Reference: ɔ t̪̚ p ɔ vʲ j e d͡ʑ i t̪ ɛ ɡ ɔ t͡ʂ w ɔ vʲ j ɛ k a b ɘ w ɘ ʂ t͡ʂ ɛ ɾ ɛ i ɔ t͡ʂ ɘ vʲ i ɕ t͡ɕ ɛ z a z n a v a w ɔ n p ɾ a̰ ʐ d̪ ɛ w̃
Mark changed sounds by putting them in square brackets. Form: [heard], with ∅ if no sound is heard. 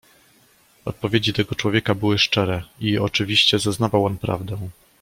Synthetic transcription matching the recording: ɔ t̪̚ p ɔ vʲ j e d͡ʑ i t̪ ɛ ɡ ɔ t͡ʂ w ɔ vʲ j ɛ k a b ɘ w ɘ ʂ t͡ʂ ɛ ɾ ɛ i ɔ t͡ʂ ɘ vʲ i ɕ t͡ɕ ɛ z a z n a v a w ɔ n p ɾ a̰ [v] d̪ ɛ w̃